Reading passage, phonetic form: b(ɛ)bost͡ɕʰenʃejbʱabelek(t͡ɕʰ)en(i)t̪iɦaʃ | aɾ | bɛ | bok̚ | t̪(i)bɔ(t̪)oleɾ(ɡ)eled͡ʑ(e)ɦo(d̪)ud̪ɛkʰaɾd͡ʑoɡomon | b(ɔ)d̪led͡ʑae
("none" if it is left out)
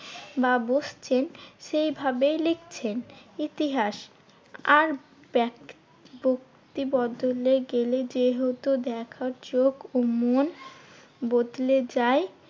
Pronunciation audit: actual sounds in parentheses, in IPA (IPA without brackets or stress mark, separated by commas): a, t͡ɕʰ, i, i, d̪, ɡ, e, t̪, o